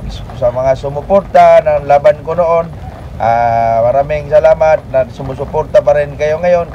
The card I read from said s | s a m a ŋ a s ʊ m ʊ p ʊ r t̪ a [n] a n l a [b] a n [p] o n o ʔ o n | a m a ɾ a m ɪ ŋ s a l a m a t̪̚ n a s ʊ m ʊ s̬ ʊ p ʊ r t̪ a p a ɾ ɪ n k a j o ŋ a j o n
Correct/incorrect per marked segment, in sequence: correct, correct, incorrect: k

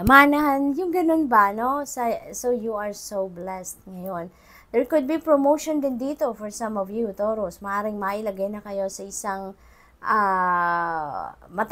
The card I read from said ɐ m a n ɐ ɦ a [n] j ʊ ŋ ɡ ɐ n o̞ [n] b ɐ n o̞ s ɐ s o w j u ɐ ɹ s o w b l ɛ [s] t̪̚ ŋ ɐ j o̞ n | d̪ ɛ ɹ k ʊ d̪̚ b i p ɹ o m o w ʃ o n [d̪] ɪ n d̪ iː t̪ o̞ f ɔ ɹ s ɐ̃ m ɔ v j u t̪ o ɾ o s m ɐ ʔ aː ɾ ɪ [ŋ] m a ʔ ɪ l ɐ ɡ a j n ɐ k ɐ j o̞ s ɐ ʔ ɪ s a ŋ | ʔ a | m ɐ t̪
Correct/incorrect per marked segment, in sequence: correct, correct, correct, correct, correct

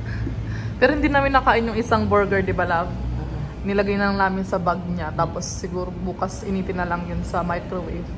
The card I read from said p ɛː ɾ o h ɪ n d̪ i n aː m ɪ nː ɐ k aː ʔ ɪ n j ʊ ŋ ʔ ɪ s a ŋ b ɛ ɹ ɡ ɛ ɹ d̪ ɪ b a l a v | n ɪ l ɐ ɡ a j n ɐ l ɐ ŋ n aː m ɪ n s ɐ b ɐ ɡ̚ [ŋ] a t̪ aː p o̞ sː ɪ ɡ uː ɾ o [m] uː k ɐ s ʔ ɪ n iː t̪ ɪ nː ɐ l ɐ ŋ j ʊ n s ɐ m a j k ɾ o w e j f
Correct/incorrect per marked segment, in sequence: incorrect: ɲ, incorrect: b

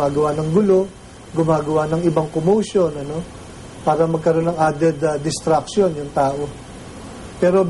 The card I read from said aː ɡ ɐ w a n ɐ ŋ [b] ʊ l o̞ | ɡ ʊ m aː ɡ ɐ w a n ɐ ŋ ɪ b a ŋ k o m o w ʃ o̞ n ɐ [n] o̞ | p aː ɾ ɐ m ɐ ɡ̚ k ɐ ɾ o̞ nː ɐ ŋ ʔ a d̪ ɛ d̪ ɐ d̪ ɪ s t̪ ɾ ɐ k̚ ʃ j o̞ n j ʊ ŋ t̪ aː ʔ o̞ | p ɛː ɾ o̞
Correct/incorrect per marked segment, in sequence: incorrect: ɡ, correct

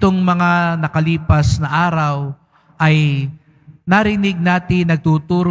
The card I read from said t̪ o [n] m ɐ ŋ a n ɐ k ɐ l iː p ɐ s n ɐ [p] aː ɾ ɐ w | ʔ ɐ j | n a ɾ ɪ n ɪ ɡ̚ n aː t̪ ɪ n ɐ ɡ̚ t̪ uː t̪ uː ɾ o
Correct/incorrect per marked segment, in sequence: incorrect: ŋ, incorrect: ʔ

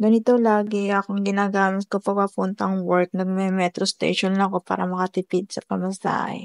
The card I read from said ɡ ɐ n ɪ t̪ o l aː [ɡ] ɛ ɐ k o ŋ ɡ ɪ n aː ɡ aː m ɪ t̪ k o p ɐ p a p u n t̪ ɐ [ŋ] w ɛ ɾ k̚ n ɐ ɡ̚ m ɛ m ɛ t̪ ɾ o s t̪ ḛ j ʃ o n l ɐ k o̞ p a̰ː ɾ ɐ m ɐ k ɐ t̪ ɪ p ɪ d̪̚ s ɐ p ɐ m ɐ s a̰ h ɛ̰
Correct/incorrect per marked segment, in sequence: correct, correct

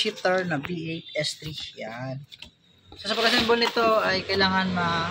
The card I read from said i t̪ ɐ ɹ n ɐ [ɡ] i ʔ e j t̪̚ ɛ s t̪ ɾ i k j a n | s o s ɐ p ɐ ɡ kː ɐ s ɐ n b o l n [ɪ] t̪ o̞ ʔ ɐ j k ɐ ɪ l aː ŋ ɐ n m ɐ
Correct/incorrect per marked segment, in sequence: incorrect: b, correct

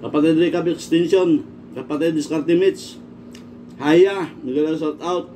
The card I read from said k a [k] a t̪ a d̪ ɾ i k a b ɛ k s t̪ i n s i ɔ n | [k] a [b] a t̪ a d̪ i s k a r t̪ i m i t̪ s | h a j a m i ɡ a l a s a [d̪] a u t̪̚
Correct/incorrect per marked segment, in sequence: incorrect: p, correct, incorrect: p, incorrect: t̪

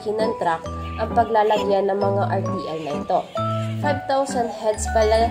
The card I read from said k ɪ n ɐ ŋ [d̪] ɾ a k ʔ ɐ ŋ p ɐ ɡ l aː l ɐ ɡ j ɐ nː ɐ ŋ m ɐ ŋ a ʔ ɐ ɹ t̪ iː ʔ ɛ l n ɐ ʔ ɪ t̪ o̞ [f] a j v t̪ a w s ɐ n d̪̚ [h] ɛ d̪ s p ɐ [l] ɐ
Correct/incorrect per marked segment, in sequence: incorrect: t̪, correct, correct, correct

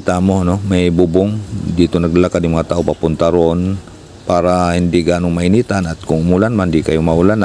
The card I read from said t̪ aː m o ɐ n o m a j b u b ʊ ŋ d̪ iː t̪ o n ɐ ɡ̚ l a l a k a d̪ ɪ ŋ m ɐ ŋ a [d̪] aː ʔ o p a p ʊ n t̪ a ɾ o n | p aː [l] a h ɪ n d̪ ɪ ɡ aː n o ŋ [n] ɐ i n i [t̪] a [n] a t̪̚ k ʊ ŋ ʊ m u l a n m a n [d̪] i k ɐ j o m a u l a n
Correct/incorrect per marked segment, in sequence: incorrect: t̪, incorrect: ɾ, incorrect: m, correct, correct, correct

